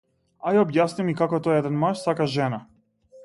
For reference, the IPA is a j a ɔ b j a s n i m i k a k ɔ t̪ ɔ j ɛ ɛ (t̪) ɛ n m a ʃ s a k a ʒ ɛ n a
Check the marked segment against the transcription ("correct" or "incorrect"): incorrect